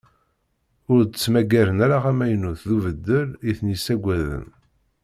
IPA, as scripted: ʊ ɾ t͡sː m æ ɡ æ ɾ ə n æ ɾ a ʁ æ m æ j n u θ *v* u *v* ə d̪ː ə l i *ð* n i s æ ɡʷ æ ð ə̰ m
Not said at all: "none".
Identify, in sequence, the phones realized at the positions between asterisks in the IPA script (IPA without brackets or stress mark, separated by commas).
ð, v, θ